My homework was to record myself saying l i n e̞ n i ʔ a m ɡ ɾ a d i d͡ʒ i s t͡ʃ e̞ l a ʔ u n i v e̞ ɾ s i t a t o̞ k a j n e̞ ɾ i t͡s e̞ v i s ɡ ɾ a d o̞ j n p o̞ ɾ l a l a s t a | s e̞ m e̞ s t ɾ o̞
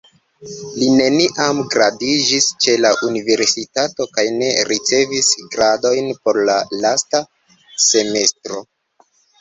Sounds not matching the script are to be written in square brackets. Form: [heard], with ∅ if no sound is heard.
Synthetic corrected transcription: l i n e̞ n i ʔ a m ɡ ɾ a d i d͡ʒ i s t͡ʃ e̞ l a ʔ u n i v e̞ ɾ s i t a t o̞ k a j n e̞ ɾ i t͡s e̞ v i s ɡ ɾ a d o̞ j n p o̞ ɾ l a l a s t a | s e̞ m e̞ s t ɾ o̞